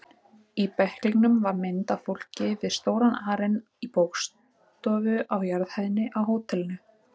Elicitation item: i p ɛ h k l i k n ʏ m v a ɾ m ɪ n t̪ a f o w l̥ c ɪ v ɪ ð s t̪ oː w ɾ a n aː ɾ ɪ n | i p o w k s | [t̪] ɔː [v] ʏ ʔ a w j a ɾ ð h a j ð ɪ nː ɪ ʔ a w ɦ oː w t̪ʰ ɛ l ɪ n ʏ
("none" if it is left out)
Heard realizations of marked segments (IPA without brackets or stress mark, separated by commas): t̪, v